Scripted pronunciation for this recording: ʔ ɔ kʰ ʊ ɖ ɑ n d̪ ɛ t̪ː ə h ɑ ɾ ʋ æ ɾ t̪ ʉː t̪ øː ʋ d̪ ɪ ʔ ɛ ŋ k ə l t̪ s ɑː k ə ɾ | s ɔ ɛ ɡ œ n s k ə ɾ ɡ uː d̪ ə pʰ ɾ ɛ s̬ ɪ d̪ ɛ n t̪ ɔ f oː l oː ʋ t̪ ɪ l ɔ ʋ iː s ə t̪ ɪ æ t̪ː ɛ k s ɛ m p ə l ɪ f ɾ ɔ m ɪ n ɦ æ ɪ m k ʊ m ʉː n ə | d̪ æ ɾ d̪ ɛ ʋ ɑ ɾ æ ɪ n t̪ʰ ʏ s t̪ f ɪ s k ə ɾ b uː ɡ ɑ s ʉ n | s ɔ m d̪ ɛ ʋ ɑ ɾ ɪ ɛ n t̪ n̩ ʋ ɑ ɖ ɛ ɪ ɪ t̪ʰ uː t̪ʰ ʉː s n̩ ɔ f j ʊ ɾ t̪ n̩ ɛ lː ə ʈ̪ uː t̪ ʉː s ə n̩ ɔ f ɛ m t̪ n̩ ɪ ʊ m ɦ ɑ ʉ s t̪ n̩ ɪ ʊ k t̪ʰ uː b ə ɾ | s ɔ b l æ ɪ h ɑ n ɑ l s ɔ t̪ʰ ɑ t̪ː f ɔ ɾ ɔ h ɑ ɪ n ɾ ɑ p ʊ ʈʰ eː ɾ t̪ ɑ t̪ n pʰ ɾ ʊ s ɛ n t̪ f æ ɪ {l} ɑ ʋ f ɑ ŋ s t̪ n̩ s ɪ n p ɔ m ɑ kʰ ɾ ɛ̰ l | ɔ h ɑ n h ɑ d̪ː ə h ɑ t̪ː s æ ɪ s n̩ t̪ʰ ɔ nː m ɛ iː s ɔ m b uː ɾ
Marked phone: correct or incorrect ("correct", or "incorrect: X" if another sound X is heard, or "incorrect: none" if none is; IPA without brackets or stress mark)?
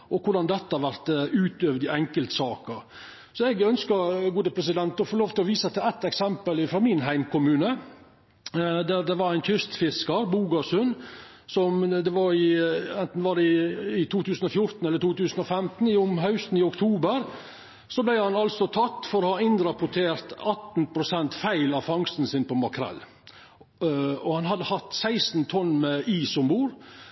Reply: correct